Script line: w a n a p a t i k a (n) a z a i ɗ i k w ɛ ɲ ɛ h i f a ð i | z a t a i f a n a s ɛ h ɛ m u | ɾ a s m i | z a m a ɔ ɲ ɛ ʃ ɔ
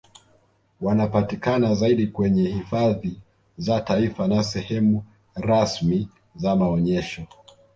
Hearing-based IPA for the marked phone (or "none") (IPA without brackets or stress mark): n